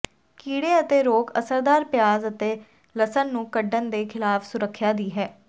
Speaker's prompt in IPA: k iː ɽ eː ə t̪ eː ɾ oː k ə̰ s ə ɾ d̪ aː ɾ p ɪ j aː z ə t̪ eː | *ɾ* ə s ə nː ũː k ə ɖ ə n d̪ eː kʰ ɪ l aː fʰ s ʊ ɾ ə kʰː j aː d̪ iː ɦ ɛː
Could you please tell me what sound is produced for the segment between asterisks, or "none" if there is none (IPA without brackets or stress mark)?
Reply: l